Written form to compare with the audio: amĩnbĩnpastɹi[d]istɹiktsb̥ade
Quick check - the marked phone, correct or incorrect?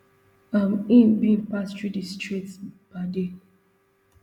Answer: correct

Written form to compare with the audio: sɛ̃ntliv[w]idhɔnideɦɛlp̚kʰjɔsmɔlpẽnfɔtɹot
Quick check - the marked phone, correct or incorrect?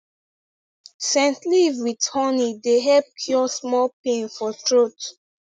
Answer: correct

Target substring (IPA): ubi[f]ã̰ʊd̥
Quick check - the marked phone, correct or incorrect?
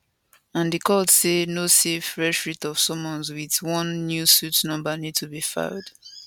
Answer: correct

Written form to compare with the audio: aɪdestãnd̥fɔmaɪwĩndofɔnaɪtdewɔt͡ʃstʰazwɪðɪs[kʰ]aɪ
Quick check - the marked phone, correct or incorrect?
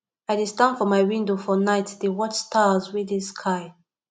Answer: correct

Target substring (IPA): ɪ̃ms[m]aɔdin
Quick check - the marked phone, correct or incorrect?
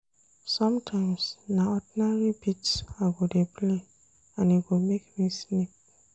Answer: incorrect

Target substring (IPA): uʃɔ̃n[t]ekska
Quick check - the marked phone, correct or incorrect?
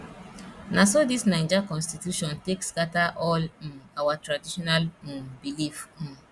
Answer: correct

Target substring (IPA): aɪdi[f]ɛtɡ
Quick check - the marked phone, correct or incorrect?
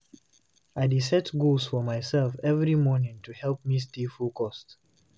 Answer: incorrect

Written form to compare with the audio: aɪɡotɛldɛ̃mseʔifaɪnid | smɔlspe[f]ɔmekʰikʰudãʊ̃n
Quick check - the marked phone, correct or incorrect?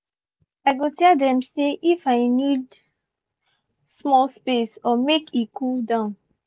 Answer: incorrect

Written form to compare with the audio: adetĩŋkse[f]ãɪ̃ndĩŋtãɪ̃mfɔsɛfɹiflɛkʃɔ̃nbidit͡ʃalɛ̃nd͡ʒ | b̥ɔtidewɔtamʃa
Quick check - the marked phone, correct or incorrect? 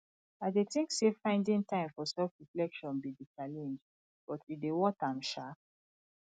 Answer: correct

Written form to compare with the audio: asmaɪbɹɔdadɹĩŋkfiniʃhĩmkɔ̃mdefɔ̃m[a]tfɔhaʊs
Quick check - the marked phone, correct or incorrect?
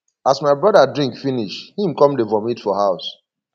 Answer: incorrect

